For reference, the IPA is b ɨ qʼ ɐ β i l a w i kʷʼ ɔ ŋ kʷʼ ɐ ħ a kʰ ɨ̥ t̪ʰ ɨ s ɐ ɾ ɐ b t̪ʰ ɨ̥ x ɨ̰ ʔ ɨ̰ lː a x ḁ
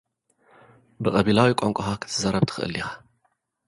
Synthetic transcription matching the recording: b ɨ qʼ ɐ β i l a w i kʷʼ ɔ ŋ kʷʼ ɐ x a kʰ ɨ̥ t̪ʰ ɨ z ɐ ɾ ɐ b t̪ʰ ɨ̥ x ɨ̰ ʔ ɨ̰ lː i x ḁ